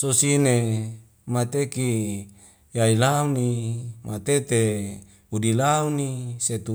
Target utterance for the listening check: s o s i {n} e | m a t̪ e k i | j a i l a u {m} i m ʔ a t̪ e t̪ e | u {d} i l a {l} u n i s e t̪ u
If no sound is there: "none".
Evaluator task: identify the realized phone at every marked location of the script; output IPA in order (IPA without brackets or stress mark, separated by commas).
n, n, d, none